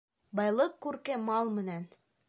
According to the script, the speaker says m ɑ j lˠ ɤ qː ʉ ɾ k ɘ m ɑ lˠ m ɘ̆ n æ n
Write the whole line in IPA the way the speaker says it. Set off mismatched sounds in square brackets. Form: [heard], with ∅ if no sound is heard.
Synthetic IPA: [b] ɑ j lˠ ɤ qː ʉ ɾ k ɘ m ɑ lˠ m ɘ̆ n æ n